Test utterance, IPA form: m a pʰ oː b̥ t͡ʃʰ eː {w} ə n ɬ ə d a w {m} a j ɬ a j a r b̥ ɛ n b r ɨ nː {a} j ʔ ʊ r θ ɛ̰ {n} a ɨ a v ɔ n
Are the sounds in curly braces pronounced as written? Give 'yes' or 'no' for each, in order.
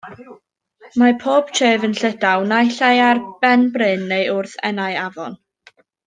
no, no, no, yes

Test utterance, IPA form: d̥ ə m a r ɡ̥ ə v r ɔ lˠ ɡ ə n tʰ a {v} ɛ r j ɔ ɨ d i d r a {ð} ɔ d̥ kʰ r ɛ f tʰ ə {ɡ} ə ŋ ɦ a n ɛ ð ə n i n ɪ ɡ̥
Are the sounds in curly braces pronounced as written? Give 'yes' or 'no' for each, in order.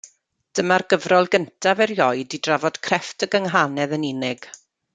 yes, no, yes

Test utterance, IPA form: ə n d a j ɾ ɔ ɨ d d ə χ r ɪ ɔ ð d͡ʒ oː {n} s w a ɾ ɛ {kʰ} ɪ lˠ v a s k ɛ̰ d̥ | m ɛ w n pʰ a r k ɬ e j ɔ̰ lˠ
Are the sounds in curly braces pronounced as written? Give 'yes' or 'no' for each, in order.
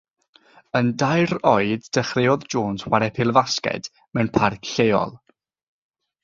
yes, no

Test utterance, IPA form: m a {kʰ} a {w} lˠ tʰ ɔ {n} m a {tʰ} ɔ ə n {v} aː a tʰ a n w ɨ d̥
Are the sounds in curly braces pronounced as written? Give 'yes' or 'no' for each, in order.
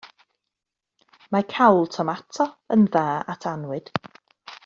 yes, yes, no, yes, no

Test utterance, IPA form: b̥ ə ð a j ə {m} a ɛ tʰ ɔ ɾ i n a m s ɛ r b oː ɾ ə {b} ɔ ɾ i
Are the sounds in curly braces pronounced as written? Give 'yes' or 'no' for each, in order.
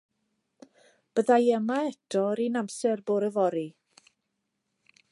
yes, no

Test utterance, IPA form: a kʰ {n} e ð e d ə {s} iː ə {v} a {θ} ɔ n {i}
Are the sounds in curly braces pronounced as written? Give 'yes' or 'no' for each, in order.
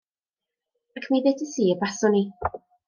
no, yes, no, no, yes

